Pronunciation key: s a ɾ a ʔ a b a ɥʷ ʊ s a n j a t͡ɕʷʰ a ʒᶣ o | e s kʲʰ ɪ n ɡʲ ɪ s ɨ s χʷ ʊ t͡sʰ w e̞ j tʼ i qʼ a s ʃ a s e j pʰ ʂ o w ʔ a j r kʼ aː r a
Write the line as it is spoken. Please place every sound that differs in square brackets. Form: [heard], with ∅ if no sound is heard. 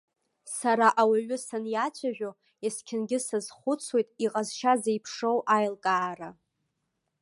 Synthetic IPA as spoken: s a ɾ a ʔ a [w] a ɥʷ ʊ s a n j a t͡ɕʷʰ a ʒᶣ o | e s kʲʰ ɪ n ɡʲ ɪ s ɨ [z] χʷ ʊ t͡sʰ w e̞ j tʼ i qʼ a [z] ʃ a [z] e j pʰ ʂ o w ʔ a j [l] kʼ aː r a